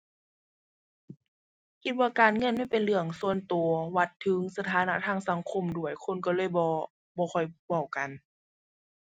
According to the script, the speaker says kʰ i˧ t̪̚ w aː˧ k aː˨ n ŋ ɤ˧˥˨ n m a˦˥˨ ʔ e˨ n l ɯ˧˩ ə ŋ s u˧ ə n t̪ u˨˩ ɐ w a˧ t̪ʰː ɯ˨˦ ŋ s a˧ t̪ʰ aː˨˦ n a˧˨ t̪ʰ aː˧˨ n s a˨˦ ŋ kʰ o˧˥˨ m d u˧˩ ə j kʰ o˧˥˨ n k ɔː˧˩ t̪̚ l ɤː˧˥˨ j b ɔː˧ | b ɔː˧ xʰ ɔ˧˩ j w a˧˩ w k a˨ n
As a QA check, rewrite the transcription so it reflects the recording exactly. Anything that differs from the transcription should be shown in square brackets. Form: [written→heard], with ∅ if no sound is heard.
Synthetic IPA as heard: kʰ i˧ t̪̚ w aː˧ k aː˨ n ŋ ɤ˧˥˨ n m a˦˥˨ [ʔ→p] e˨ n l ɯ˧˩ ə ŋ s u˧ ə n t̪ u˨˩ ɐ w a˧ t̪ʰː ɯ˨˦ ŋ s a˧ t̪ʰ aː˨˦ n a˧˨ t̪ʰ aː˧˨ [n→ŋ] s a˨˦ ŋ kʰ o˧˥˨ m d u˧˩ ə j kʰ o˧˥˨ n k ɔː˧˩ [t̪̚→∅] l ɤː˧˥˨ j b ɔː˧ | b ɔː˧ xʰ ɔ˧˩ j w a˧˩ w k a˨ n